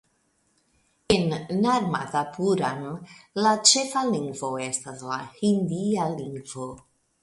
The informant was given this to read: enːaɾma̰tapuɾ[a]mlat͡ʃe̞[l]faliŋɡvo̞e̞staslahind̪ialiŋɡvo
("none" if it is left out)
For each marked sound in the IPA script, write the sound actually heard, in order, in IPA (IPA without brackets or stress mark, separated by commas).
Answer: a, none